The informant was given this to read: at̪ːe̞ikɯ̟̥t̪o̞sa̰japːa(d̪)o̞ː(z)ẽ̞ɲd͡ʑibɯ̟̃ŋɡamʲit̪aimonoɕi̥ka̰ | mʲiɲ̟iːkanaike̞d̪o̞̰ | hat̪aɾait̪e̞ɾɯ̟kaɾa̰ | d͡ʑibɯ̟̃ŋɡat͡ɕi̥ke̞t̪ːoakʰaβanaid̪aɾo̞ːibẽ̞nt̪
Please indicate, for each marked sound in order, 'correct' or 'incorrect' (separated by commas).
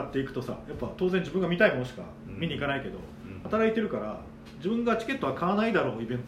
incorrect, correct